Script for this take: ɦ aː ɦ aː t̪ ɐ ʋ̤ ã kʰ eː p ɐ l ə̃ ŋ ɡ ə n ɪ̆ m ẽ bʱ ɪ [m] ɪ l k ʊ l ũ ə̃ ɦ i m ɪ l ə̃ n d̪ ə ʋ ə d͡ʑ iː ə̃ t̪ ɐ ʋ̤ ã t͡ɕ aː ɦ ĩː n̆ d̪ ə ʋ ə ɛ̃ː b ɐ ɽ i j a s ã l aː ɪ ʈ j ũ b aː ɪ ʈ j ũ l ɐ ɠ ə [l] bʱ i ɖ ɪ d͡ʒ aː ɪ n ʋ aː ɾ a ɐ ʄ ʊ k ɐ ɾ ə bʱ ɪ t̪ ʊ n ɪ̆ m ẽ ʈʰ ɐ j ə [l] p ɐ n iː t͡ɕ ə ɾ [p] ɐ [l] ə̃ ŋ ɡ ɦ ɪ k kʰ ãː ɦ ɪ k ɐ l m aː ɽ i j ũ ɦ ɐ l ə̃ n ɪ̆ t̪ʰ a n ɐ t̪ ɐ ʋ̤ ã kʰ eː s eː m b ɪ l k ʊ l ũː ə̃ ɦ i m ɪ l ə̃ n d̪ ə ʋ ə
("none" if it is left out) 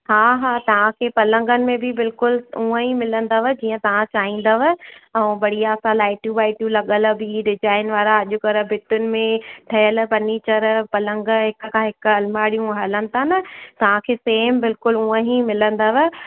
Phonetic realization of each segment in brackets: b, l, l, p, l

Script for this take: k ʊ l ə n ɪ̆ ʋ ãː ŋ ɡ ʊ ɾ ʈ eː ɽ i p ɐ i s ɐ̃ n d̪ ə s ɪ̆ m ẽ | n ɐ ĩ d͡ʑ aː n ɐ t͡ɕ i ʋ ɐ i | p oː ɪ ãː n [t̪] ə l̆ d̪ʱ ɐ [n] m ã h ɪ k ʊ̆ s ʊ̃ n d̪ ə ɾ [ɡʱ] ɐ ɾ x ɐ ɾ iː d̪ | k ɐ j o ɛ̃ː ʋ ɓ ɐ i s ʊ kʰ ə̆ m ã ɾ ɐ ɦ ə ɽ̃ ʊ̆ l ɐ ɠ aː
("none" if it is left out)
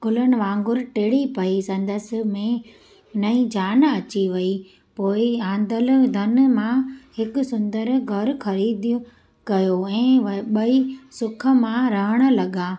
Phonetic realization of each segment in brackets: d̪, n, ɡʱ

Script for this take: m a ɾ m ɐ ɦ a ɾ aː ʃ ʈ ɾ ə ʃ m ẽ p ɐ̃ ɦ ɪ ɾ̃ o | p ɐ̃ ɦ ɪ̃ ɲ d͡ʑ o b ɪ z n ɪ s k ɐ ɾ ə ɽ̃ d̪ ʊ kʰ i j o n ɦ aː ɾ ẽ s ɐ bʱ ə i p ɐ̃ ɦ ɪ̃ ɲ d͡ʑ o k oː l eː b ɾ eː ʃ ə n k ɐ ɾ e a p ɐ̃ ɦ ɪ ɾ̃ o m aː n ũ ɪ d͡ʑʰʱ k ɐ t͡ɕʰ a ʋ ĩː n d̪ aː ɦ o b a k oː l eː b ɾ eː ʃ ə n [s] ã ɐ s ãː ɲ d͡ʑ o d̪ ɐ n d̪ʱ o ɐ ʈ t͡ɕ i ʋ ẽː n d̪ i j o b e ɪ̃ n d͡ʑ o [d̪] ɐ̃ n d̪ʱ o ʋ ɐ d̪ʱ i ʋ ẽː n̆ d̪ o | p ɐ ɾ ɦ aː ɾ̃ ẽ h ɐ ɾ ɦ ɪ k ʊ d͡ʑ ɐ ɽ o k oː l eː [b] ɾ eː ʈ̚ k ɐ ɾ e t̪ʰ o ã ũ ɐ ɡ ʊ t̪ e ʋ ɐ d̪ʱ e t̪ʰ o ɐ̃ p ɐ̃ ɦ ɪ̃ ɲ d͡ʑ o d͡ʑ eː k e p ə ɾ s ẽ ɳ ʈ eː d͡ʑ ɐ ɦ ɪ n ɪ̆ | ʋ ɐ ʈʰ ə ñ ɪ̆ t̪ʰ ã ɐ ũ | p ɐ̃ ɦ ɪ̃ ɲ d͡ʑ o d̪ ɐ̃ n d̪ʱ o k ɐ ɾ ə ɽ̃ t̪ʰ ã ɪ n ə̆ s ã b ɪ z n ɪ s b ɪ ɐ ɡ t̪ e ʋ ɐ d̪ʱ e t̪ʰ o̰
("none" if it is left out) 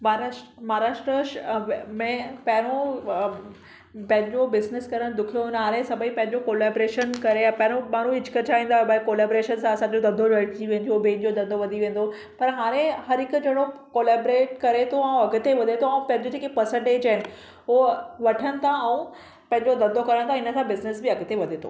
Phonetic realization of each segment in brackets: s, d̪, b

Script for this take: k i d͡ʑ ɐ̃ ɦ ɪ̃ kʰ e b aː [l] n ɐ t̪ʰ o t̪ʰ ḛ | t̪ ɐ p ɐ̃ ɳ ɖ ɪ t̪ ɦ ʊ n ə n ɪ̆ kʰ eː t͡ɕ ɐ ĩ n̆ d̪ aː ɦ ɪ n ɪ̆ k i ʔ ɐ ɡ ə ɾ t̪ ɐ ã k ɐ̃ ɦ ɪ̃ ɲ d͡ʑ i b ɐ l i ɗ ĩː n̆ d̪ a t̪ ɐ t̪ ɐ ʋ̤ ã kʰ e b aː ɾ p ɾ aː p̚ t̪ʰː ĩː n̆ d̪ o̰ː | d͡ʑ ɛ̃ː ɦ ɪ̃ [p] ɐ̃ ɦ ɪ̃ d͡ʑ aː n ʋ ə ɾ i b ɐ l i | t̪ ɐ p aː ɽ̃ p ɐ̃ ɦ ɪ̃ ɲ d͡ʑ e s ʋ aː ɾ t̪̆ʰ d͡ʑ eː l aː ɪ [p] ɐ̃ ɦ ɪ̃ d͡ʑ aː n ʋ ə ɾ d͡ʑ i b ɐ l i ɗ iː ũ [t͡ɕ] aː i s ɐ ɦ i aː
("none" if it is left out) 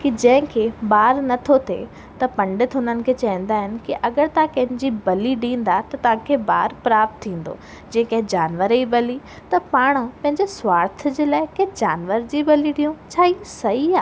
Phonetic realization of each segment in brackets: ɾ, k, k, t͡ɕʰ

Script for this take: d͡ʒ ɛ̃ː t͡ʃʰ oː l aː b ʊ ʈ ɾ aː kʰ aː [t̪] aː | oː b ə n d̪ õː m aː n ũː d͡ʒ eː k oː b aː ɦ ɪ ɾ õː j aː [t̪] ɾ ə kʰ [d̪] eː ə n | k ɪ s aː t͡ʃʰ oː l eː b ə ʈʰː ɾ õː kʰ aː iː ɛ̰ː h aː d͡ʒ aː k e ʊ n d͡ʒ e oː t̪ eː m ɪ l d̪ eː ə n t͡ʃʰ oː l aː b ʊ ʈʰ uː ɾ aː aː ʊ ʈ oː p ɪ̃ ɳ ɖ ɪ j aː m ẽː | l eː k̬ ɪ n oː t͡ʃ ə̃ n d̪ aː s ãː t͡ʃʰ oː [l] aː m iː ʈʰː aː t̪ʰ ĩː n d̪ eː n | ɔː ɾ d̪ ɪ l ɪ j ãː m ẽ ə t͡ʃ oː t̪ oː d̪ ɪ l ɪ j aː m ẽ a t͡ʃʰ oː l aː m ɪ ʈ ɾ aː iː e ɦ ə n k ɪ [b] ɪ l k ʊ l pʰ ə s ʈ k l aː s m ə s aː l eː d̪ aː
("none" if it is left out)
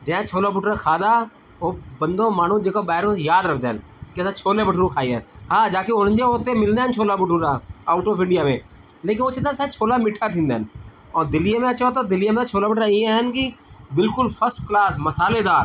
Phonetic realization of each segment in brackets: d̪, d̪, d̪, l, b

